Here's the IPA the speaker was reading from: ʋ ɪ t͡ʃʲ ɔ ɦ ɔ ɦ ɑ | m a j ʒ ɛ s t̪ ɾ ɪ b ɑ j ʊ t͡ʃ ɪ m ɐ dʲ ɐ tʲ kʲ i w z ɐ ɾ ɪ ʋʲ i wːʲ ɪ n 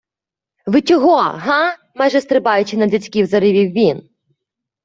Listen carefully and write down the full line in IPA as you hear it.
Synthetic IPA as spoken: ʋ ɪ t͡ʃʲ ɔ ɦ ɔ ɦ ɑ | m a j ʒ ɛ s t̪ ɾ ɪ b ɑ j ʊ t͡ʃ ɪ n ɐ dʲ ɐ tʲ kʲ i w z ɐ ɾ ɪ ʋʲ i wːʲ i n